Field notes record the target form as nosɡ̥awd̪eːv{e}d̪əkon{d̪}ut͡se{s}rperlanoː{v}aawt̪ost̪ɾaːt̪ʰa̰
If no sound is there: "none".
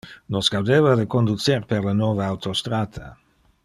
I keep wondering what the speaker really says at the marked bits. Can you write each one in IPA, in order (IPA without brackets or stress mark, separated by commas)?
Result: a, d̪, none, v